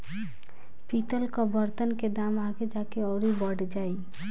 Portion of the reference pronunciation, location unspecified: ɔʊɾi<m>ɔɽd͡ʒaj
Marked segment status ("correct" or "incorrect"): incorrect